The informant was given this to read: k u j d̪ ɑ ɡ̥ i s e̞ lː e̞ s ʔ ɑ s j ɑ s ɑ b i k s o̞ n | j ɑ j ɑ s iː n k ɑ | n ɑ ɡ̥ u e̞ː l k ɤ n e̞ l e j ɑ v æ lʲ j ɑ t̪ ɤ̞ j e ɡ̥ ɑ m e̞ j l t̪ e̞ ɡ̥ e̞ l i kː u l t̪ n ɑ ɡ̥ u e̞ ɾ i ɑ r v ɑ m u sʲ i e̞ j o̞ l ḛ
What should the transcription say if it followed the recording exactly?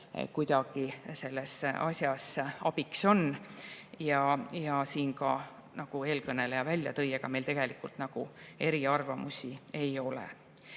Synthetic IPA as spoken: k u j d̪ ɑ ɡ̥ i s e̞ lː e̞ s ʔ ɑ s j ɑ s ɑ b i k s o̞ n | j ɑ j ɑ s iː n k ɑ | n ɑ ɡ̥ u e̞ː l k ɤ n e̞ l e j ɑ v æ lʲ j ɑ t̪ ɤ̞ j e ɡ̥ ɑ m e̞ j l t̪ e̞ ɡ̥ e̞ l i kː u l t̪ n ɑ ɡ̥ u e̞ ɾ i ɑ r v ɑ m u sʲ i e̞ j o̞ l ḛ